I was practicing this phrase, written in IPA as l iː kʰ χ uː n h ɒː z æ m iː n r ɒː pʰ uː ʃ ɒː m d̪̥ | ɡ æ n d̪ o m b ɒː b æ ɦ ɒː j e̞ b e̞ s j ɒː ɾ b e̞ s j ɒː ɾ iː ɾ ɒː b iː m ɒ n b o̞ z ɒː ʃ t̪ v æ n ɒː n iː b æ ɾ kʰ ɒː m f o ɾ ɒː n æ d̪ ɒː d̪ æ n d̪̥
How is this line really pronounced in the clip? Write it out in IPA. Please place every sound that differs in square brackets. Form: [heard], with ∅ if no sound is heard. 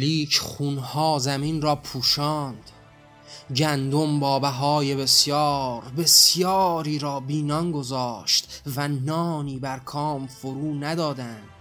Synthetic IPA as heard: l iː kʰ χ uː n h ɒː z æ m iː n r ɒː pʰ uː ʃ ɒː [n] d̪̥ | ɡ æ n d̪ o m b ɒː b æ ɦ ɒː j e̞ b e̞ s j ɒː ɾ b e̞ s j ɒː ɾ iː ɾ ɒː b iː [n] ɒ n [ɡ] o̞ z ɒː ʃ t̪ v æ n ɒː n iː b æ ɾ kʰ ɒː m f o ɾ [uː] n æ d̪ ɒː d̪ æ n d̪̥